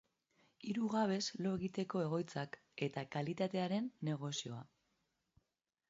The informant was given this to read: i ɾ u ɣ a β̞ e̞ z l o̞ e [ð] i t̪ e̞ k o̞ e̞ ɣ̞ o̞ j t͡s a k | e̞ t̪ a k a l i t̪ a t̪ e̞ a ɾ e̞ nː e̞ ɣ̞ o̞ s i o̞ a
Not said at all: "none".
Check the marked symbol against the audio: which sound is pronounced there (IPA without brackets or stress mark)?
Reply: ɣ